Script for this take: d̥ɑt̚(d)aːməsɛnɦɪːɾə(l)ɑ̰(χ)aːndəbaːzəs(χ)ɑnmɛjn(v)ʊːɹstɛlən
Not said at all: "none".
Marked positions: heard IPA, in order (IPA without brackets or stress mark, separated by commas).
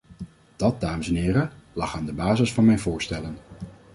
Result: d, l, χ, f, v